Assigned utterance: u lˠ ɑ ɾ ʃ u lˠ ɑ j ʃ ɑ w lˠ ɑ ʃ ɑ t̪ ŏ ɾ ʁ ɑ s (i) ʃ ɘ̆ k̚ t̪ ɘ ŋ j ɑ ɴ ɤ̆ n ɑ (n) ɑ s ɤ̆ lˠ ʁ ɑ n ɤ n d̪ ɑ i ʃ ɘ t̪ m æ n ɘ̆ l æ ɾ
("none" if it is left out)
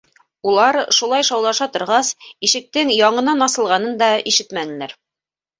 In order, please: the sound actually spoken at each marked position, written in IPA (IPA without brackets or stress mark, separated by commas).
i, n